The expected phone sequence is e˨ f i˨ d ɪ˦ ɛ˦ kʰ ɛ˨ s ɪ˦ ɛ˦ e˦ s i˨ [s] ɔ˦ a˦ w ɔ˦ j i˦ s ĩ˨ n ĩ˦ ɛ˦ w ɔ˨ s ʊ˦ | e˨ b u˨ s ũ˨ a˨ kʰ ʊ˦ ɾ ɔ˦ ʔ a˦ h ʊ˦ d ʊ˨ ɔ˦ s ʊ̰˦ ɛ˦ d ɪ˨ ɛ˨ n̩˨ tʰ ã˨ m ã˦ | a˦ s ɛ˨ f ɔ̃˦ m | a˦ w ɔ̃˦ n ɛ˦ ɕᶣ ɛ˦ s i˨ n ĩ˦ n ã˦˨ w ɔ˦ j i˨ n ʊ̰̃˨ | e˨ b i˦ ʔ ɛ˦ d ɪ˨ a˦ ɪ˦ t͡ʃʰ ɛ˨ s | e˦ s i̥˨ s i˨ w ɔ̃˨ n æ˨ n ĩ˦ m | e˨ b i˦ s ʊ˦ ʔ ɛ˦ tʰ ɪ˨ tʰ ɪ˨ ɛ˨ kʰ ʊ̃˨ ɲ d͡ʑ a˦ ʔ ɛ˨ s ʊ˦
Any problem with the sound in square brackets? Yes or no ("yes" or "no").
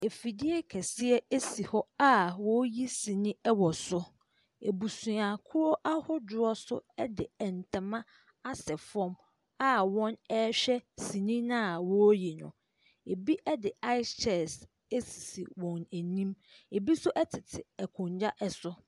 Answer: yes